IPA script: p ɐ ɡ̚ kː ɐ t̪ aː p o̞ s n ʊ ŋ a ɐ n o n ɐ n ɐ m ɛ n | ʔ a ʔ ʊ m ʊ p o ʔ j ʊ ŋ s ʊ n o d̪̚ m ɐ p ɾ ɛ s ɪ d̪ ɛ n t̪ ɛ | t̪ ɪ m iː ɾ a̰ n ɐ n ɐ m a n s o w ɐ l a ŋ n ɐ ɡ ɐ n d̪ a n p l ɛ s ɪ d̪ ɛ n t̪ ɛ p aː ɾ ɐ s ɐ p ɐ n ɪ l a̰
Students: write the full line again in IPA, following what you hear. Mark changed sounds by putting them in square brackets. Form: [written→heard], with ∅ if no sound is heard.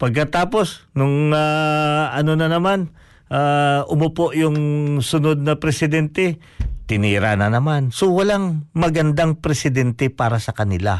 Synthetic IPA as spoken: p ɐ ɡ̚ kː ɐ t̪ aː p o̞ s n ʊ ŋ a ɐ n o n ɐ n ɐ m [ɛ→a] n | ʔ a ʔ ʊ m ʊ p o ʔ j ʊ ŋ s ʊ n o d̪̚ [m→n] ɐ p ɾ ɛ s ɪ d̪ ɛ n t̪ ɛ | t̪ ɪ [m→n] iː ɾ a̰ n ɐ n ɐ m a n s o w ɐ l a ŋ [n→m] ɐ ɡ ɐ n d̪ a [n→ŋ] p [l→ɾ] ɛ s ɪ d̪ ɛ n t̪ ɛ p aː ɾ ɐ s ɐ [p→k] ɐ n ɪ l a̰